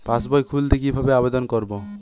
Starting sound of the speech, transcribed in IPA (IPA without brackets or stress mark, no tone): p